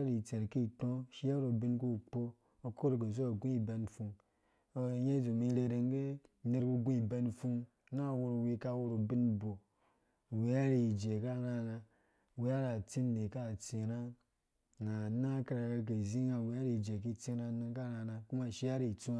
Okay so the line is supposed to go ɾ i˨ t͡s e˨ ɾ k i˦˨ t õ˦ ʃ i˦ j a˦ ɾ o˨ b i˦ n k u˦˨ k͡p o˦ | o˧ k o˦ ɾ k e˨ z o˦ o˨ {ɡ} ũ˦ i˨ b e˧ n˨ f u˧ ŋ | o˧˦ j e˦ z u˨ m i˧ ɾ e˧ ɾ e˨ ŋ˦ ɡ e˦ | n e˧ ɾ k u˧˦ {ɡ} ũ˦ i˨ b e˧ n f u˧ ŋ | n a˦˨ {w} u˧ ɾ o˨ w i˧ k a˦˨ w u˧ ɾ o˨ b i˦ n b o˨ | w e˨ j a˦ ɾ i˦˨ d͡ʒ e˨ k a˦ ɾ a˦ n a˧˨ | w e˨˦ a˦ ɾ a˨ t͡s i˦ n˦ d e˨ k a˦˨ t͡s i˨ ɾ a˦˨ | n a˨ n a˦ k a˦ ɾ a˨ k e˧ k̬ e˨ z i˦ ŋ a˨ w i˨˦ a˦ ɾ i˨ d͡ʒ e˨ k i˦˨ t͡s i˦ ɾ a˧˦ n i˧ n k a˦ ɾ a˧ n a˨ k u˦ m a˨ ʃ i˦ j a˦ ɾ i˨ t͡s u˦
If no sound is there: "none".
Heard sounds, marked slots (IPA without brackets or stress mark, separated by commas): ɡ, ɡ, w